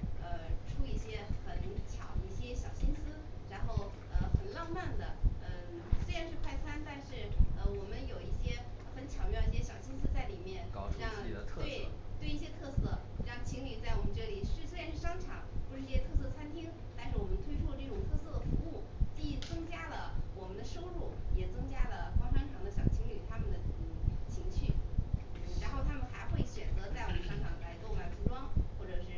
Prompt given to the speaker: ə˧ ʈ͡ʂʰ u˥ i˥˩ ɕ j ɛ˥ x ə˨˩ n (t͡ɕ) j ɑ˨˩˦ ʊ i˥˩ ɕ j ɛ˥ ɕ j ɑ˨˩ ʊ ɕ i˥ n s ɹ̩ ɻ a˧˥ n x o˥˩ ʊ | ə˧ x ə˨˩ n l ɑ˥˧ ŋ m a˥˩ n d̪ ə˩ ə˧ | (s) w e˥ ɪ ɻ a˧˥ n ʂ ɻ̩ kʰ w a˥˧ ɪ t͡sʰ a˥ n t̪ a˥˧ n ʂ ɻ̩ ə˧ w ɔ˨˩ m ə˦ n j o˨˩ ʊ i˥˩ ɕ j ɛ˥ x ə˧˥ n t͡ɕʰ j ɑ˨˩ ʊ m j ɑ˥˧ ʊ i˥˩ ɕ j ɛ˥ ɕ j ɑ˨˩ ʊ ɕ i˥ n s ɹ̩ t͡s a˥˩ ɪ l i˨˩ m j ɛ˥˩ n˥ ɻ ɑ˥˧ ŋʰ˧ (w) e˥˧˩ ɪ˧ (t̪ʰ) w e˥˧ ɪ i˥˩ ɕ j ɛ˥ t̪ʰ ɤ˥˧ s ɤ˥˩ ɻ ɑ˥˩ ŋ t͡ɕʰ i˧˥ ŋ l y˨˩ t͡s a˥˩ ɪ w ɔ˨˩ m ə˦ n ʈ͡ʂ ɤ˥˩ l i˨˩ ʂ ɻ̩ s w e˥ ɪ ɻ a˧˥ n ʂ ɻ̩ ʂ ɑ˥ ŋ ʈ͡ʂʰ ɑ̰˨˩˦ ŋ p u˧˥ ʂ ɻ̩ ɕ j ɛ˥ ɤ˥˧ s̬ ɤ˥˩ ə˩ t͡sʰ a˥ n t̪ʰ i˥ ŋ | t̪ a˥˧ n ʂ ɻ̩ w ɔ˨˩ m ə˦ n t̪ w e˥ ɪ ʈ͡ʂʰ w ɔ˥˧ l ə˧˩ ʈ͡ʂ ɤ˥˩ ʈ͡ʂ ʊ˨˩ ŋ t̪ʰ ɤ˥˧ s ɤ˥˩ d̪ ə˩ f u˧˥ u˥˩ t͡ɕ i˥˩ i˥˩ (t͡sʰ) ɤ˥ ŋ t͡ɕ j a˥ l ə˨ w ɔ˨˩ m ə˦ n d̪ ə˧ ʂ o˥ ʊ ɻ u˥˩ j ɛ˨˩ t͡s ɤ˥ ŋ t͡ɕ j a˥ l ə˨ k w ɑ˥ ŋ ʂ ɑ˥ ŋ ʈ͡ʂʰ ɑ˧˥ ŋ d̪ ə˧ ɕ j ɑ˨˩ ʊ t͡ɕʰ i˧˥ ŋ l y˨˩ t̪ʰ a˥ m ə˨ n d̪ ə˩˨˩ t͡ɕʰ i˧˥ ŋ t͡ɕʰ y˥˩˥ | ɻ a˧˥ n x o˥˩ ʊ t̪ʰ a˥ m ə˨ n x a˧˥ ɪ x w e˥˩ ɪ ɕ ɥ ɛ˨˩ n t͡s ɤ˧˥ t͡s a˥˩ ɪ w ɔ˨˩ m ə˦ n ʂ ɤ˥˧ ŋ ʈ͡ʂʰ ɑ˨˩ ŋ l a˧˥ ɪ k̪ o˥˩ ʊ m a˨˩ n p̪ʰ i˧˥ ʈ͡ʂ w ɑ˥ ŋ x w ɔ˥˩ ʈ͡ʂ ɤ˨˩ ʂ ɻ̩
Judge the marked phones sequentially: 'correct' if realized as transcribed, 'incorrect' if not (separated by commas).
incorrect, correct, correct, incorrect, incorrect